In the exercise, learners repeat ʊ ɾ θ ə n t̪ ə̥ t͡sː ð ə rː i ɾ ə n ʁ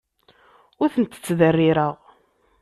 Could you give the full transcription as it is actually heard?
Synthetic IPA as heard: ʊ ɾ θ ə n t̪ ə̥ t͡sː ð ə rː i ɾ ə ʁ